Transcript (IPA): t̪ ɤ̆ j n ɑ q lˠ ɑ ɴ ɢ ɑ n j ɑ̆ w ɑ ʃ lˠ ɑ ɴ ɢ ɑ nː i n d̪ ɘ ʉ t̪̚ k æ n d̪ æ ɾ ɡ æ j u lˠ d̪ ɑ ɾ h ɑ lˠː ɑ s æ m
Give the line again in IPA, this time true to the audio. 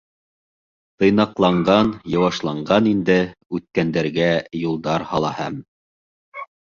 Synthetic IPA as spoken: t̪ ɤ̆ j n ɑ q lˠ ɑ ɴ ɢ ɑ n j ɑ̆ w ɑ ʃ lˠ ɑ ɴ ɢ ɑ n i n d̪ ɘ ʉ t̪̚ k æ n d̪ æ ɾ ɡ æ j u lˠ d̪ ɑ ɾ h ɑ lˠ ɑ h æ m